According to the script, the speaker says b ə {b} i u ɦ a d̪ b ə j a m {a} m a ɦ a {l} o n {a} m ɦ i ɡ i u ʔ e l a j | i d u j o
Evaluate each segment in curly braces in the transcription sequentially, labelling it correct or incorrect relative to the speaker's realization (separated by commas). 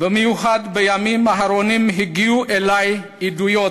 incorrect, incorrect, incorrect, incorrect